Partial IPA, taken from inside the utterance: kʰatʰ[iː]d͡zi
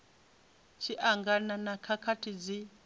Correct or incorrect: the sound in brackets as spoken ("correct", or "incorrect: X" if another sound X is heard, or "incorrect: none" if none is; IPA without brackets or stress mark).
incorrect: i